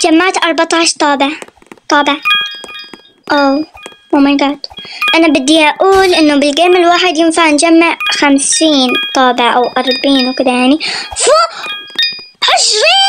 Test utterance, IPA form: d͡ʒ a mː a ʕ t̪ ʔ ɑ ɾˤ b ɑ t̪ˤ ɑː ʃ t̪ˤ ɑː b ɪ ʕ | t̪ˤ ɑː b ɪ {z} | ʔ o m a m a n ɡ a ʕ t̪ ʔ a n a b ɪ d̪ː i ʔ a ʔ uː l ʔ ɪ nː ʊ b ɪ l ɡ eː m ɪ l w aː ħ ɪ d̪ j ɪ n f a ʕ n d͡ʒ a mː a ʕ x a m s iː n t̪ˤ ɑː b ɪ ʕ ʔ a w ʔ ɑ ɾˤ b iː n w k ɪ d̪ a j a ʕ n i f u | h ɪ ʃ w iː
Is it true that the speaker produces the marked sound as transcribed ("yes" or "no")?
no